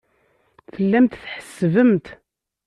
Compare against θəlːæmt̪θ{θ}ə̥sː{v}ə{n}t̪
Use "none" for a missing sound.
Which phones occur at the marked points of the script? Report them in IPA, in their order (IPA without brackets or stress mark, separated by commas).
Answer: ħ, v, m